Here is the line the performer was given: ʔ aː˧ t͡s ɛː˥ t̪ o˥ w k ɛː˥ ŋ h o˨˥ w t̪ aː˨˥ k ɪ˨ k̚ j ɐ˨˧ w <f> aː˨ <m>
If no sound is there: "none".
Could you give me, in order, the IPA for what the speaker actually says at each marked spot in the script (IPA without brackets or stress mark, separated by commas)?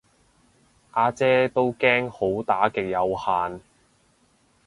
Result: h, n